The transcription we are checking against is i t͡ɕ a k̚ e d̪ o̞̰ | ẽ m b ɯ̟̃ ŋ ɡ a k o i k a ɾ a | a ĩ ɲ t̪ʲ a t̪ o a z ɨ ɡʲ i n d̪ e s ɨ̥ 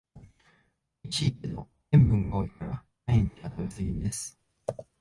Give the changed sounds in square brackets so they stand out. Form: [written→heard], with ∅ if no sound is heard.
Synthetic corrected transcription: i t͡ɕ [a→i] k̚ e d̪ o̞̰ | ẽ m b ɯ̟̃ ŋ ɡ a [k→∅] o i k a ɾ a | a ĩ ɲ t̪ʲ a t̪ o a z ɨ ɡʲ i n d̪ e s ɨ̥